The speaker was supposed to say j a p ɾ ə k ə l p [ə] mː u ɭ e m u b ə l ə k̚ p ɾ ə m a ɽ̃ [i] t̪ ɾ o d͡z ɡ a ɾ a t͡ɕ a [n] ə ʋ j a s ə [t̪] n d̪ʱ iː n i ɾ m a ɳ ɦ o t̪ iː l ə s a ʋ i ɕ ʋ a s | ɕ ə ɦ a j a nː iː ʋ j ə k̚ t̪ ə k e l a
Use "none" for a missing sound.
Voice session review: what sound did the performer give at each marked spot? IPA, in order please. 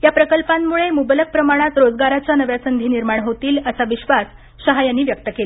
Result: a, a, n, none

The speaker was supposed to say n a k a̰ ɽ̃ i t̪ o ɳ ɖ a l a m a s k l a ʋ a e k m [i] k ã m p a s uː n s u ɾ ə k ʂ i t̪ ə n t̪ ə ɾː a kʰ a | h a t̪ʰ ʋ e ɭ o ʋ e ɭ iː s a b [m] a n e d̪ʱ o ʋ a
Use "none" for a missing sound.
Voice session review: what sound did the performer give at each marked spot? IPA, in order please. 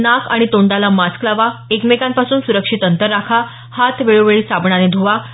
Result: e, ɳ

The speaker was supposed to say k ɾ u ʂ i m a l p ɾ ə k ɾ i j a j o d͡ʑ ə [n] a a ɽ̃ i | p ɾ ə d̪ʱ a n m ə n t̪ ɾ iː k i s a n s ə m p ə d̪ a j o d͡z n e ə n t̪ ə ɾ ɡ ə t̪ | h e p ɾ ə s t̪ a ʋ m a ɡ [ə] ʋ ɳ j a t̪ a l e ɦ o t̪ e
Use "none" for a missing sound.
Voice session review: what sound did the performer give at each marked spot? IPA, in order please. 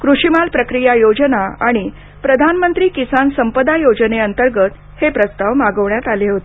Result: n, ə

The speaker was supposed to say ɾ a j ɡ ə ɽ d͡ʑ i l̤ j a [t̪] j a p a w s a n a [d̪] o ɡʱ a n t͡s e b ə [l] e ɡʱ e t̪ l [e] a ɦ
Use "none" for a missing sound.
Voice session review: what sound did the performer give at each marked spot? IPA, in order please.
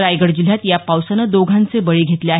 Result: t̪, d̪, ɭ, e

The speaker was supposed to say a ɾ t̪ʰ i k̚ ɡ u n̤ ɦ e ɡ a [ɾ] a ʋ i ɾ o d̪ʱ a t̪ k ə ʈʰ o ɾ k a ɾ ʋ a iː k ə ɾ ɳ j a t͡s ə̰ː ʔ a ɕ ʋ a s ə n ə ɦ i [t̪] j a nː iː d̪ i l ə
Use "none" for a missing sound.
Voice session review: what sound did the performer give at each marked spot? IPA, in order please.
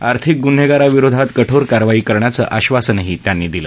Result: ɾ, t̪

